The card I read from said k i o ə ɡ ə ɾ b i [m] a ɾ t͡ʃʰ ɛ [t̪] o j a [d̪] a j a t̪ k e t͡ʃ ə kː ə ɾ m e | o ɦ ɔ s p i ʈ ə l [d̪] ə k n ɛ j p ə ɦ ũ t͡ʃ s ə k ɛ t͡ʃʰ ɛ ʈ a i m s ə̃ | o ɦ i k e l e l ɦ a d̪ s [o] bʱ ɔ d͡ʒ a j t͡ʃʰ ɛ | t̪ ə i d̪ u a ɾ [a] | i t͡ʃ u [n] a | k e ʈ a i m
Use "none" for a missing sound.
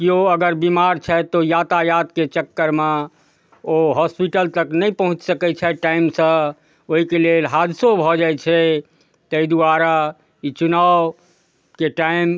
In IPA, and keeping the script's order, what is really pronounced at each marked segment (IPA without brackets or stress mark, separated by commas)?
m, t̪, t̪, t̪, o, a, n